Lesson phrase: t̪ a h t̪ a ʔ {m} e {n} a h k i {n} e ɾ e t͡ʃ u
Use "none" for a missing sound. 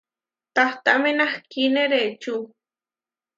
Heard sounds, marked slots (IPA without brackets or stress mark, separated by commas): m, n, n